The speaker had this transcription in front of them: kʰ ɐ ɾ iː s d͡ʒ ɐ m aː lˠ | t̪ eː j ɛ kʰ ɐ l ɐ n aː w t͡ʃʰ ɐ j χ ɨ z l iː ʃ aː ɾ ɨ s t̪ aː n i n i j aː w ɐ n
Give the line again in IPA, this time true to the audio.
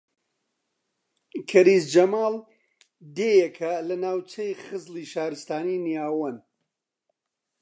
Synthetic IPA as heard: kʰ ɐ ɾ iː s d͡ʒ ɐ m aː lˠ | d̪ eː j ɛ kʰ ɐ l ɐ n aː w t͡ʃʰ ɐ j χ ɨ z l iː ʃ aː ɾ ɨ s t̪ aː n i n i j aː w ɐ n